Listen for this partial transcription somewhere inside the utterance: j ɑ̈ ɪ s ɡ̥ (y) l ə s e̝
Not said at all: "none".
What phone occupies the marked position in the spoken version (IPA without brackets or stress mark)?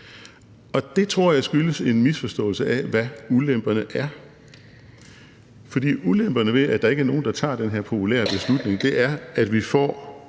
y